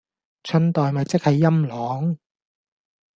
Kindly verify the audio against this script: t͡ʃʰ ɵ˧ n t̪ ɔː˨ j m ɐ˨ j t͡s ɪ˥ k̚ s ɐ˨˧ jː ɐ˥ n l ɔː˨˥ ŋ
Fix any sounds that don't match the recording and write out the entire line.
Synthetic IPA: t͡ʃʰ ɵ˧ n t̪ ɔː˨ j m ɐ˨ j t͡s ɪ˥ k̚ h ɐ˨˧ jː ɐ˥ m l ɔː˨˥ ŋ